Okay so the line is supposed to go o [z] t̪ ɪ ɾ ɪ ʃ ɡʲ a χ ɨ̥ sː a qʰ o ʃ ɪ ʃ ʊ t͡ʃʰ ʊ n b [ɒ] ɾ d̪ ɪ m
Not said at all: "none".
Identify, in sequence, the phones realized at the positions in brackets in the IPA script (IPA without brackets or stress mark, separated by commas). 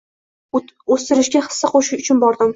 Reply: s, ɒ